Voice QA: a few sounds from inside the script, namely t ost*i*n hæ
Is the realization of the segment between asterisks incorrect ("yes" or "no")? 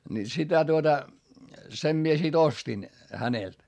no